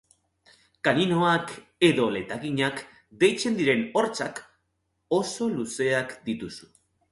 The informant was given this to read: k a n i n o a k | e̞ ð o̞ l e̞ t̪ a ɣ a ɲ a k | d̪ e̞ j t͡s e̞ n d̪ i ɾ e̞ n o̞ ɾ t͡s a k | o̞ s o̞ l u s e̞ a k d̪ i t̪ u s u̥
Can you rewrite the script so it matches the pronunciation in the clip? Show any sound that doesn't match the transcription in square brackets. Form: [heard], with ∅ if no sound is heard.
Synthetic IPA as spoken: k a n i n o a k | e̞ ð o̞ l e̞ t̪ a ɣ [i] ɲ a k | d̪ e̞ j t͡s e̞ n d̪ i ɾ e̞ n o̞ ɾ t͡s a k | o̞ s o̞ l u s e̞ a k d̪ i t̪ u s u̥

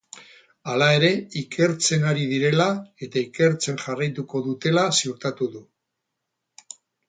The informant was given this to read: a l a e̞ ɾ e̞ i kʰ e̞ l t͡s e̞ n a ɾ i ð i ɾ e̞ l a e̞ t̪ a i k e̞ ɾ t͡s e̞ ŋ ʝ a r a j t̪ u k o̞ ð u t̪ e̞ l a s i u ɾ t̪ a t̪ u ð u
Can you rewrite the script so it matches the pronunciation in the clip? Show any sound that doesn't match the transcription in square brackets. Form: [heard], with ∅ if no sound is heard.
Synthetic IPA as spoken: a l a e̞ ɾ e̞ i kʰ e̞ [ɾ] t͡s e̞ n a ɾ i ð i ɾ e̞ l a e̞ t̪ a i k e̞ ɾ t͡s e̞ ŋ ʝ a r a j t̪ u k o̞ ð u t̪ e̞ l a s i u ɾ t̪ a t̪ u ð u

